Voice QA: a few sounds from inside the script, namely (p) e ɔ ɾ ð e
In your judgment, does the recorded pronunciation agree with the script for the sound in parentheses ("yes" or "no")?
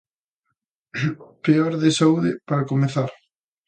yes